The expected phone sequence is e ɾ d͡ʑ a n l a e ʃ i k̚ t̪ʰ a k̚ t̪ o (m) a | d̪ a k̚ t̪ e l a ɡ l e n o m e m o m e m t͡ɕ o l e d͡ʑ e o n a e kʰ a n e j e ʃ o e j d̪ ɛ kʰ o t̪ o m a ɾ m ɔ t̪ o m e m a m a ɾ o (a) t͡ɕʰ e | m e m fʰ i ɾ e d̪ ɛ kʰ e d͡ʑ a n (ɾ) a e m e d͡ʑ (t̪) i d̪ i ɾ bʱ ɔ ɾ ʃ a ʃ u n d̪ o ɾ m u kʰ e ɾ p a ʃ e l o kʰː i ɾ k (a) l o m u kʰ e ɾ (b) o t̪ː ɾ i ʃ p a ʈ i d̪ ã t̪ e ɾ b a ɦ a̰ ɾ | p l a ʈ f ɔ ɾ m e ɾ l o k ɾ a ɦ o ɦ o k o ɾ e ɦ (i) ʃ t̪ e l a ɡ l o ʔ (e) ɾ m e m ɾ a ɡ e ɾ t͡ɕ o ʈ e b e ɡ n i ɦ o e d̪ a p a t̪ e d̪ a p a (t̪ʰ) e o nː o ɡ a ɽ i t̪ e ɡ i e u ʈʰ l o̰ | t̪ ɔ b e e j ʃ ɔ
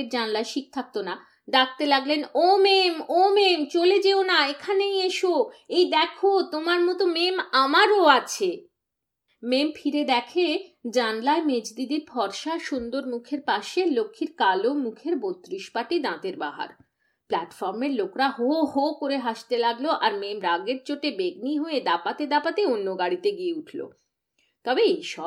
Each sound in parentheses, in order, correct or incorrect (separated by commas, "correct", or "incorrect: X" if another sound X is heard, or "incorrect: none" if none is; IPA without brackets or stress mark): incorrect: n, correct, incorrect: l, incorrect: d̪, correct, correct, incorrect: a, incorrect: a, incorrect: t̪